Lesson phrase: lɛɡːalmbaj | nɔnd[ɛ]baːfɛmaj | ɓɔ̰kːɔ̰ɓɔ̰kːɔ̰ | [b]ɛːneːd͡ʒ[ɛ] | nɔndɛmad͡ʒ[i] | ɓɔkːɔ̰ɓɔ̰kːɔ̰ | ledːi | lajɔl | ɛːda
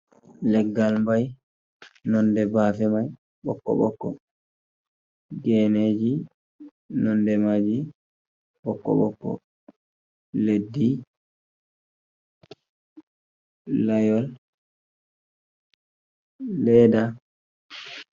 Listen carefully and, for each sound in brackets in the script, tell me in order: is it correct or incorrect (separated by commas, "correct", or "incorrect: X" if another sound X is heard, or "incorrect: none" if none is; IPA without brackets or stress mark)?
correct, incorrect: ɡ, incorrect: i, correct